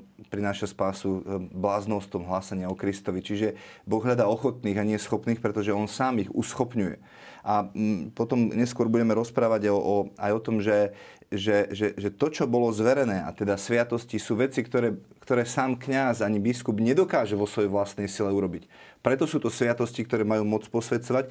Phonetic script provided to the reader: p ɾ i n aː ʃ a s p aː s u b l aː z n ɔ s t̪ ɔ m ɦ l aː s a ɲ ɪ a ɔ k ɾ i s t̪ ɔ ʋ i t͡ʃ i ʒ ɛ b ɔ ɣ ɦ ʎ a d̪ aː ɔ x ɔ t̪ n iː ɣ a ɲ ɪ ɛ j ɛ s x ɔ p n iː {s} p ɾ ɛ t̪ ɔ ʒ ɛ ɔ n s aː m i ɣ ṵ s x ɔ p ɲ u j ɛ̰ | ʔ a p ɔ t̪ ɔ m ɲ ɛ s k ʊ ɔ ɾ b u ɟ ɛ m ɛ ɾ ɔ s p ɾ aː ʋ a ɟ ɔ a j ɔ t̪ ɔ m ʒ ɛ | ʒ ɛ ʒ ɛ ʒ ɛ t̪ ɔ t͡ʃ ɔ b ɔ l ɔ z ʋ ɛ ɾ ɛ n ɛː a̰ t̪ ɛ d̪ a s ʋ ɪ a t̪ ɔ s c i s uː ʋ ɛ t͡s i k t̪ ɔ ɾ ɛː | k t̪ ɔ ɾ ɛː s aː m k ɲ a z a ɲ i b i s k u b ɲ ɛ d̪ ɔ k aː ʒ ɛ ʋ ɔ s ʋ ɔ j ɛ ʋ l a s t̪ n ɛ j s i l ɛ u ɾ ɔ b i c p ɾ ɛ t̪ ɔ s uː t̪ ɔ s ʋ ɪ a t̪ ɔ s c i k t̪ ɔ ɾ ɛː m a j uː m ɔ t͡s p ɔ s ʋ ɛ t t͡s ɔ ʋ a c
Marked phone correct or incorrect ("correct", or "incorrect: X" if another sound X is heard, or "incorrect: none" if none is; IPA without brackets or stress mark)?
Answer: incorrect: x